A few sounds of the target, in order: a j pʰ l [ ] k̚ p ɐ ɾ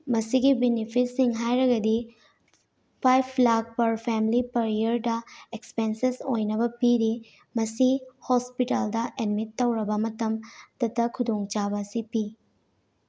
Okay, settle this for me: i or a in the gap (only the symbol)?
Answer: a